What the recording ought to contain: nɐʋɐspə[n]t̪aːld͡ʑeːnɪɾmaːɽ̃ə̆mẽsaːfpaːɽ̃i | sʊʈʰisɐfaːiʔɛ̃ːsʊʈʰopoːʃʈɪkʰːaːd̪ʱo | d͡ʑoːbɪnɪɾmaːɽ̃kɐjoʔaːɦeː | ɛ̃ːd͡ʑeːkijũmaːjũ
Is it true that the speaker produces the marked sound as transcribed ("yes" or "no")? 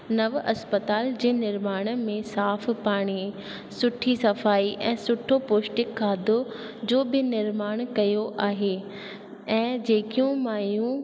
no